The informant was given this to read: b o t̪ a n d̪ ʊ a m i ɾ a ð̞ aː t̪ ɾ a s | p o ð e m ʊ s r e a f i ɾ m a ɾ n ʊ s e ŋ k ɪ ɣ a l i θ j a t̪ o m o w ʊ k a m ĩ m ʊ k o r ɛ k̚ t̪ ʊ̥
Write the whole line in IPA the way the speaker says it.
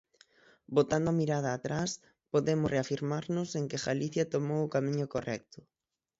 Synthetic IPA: b o t̪ a n d̪ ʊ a m i ɾ a ð̞ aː t̪ ɾ a s | p o ð e m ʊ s r e a f i ɾ m a ɾ n ʊ s e ŋ k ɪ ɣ a l i θ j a t̪ o m o w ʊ k a m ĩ ɲ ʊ k o r ɛ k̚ t̪ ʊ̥